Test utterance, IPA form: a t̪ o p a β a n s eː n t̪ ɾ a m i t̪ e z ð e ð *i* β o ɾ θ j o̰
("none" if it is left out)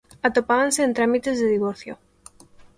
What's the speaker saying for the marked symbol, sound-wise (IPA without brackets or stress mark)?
i